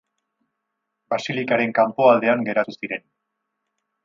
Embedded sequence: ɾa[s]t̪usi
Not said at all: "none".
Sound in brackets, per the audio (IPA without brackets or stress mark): none